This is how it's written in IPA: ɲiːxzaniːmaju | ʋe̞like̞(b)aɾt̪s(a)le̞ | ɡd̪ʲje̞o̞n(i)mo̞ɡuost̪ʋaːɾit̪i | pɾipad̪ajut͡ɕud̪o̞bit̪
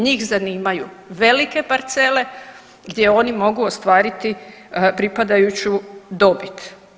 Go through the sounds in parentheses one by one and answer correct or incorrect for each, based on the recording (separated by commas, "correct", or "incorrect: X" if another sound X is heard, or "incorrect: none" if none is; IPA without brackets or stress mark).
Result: incorrect: p, incorrect: e, correct